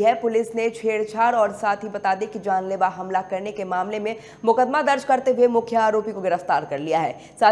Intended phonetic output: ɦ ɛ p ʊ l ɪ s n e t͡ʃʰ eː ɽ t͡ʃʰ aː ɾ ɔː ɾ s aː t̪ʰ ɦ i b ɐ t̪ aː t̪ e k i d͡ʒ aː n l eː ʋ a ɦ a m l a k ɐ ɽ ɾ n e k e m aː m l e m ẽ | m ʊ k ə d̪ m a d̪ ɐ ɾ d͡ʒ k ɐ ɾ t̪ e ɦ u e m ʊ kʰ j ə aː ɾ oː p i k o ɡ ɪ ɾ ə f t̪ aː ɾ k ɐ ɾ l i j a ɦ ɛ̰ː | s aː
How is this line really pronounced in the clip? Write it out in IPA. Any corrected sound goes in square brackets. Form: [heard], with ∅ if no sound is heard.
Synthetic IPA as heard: ɦ ɛ p ʊ l ɪ s n e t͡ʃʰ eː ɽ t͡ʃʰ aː ɾ ɔː ɾ s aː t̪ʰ ɦ i b ɐ t̪ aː [d̪] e k i d͡ʒ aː n l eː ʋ a ɦ [ɐ] m l a k ɐ [∅] ɾ n e k e m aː m l e m ẽ | m ʊ k ə d̪ m a d̪ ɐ ɾ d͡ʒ k ɐ ɾ t̪ e ɦ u e m ʊ kʰ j ə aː ɾ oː p i k o ɡ ɪ ɾ ə f t̪ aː ɾ k ɐ ɾ l i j a ɦ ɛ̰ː | s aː

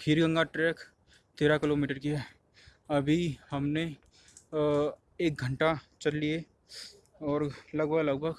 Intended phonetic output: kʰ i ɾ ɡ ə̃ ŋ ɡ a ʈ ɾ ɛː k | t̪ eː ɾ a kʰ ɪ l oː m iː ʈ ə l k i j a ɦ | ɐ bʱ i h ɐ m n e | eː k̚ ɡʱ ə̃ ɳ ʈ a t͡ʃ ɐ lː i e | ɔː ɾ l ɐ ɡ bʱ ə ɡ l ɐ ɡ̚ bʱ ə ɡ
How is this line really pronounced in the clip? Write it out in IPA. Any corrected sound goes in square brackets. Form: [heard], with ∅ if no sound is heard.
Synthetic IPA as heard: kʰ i ɾ ɡ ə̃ ŋ ɡ a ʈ ɾ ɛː k | t̪ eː ɾ a [k] ɪ l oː m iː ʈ ə [ɾ] k i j a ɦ | ɐ bʱ i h ɐ m n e | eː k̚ ɡʱ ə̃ ɳ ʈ a t͡ʃ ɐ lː i e | ɔː ɾ l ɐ ɡ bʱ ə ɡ l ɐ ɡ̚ bʱ ə ɡ

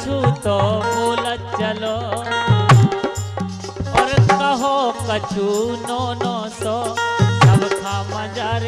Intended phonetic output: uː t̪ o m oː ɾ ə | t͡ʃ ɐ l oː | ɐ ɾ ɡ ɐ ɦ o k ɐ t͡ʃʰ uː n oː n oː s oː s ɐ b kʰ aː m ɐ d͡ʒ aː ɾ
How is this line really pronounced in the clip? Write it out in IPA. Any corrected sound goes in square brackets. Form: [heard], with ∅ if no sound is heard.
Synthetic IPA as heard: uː t̪ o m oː [l] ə | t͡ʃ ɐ l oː | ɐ ɾ [k] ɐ ɦ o k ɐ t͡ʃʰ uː n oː n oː s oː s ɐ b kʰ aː m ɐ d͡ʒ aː ɾ

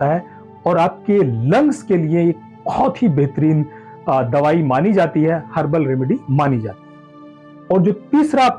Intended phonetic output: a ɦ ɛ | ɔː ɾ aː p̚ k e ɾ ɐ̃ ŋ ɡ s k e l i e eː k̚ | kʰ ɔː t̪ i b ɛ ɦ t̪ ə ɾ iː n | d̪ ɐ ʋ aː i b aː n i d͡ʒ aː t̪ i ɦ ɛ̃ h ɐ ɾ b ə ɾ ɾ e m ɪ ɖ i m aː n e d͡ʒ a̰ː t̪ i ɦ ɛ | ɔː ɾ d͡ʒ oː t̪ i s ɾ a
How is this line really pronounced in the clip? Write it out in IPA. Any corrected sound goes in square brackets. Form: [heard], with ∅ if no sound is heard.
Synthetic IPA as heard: a ɦ ɛ | ɔː ɾ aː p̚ k e [l] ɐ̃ ŋ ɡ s k e l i e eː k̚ | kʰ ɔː t̪ i b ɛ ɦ t̪ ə ɾ iː n | d̪ ɐ ʋ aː i [m] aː n i d͡ʒ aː t̪ i ɦ [ɛ] h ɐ ɾ b ə [l] ɾ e m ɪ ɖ i m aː n [i] d͡ʒ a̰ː t̪ i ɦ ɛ | ɔː ɾ d͡ʒ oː t̪ [iː] s ɾ a

